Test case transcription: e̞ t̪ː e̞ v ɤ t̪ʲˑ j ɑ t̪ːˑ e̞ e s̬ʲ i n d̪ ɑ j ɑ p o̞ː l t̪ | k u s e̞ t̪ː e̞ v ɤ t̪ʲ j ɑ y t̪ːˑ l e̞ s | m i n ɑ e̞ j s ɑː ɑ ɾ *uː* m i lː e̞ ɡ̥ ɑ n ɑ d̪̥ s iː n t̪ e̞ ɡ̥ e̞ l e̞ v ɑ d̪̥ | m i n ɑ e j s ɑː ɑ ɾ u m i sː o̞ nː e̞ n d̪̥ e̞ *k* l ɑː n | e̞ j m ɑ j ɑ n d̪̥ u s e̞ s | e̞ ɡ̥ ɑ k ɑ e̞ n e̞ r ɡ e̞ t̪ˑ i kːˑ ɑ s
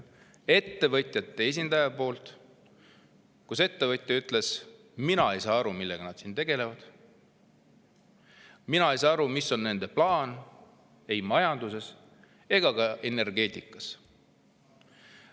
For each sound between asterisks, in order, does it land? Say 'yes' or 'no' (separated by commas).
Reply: no, no